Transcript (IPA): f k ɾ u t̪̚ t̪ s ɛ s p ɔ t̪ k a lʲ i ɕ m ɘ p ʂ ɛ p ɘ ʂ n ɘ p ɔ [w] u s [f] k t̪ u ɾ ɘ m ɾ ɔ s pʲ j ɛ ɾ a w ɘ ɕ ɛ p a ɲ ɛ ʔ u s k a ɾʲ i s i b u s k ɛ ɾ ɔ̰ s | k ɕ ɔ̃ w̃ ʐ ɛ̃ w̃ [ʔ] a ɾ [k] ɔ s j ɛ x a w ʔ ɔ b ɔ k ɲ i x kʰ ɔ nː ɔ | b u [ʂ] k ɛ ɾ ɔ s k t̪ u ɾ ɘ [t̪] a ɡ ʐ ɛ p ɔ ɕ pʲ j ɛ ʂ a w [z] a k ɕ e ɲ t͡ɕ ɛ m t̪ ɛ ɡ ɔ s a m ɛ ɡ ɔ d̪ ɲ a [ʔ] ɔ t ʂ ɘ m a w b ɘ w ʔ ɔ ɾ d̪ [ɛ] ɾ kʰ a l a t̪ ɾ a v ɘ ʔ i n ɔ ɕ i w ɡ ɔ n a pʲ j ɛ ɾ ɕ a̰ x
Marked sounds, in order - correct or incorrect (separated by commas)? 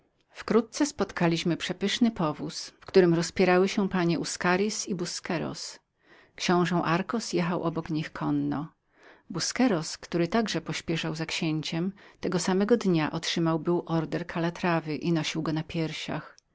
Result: incorrect, correct, correct, correct, incorrect, correct, correct, correct, correct